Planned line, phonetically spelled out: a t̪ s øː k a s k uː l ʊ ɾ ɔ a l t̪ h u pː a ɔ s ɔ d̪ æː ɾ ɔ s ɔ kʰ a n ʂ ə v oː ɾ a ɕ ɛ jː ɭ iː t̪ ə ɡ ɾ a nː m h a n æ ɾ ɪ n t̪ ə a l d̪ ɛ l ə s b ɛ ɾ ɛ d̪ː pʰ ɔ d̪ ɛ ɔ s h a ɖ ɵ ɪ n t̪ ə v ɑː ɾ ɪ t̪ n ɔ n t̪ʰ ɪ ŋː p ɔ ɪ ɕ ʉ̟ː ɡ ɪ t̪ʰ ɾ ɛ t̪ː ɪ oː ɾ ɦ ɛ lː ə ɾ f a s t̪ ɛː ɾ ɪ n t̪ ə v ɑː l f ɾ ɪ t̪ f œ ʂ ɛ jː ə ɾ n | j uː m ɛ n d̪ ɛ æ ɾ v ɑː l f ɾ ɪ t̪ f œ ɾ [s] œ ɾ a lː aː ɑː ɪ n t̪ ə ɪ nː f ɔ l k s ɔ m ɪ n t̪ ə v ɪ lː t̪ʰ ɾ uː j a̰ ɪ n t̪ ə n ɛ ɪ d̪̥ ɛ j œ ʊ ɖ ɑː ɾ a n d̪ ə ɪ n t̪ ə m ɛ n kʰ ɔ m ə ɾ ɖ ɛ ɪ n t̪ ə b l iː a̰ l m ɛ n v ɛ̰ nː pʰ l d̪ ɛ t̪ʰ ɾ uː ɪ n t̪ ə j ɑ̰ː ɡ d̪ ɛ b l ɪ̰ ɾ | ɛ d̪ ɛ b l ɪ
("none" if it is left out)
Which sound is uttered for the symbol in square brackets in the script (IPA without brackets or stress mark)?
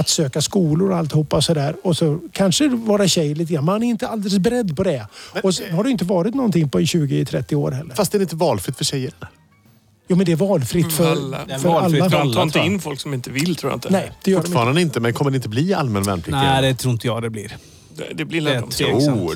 f